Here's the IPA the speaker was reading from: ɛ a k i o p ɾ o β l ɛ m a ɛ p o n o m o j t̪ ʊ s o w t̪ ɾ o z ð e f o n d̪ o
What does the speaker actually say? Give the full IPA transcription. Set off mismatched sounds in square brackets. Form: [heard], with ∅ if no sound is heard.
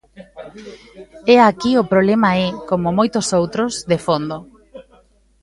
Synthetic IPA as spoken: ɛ a k i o p ɾ o β l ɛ m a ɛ [k] o [m] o m o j t̪ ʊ s o w t̪ ɾ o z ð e f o n d̪ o